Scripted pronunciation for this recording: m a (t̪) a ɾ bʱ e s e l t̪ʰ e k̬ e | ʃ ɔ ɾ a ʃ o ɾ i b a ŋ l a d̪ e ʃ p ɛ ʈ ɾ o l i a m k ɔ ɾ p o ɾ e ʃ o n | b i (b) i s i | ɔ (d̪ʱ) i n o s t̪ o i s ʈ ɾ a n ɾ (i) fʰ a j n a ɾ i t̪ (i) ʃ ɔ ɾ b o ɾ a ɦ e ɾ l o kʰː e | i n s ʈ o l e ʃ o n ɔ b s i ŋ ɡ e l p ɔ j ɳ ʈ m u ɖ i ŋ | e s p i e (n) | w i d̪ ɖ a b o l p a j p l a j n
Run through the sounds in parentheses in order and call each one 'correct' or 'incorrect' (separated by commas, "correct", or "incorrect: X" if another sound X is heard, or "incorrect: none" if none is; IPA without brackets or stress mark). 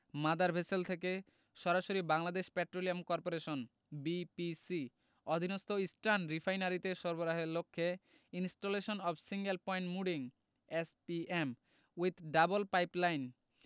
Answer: incorrect: d̪, incorrect: p, correct, correct, incorrect: e, incorrect: m